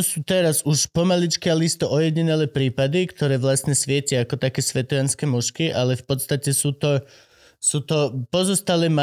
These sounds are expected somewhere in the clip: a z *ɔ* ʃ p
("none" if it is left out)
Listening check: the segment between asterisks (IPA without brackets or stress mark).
u